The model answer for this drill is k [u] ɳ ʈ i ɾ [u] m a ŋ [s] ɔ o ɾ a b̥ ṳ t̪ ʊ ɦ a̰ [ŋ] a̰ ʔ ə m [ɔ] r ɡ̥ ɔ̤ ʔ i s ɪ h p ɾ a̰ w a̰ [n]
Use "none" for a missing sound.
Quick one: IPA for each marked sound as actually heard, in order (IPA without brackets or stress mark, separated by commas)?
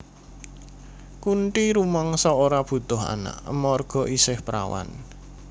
u, u, s, n, ɔ, n